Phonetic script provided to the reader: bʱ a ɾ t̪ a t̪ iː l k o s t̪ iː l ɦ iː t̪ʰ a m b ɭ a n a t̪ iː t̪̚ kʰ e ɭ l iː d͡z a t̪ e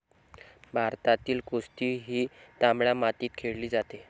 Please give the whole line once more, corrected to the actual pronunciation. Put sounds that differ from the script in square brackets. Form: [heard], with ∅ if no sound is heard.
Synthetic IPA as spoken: bʱ a ɾ t̪ a t̪ iː l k o s t̪ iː [∅] ɦ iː [t̪] a m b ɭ a [m] a t̪ iː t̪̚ kʰ e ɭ l iː d͡z a t̪ e